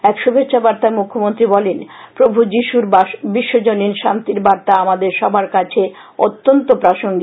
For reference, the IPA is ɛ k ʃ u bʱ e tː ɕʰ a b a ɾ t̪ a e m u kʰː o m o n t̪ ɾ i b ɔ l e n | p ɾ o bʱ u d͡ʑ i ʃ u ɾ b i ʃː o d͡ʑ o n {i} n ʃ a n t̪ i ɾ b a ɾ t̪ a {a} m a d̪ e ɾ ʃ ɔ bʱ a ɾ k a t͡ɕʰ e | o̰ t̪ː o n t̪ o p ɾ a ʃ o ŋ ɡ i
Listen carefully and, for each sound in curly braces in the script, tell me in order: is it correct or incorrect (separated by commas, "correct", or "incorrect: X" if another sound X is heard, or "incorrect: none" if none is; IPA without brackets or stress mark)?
correct, correct